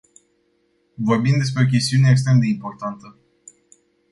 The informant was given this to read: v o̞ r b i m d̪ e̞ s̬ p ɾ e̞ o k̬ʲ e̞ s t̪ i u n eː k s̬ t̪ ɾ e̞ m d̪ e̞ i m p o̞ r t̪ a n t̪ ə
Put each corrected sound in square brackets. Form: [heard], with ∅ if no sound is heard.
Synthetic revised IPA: v o̞ r b i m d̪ e̞ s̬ p ɾ e̞ o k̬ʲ e̞ s t̪ i u n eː k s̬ t̪ ɾ e̞ m d̪ e̞ i m p o̞ r t̪ a n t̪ ə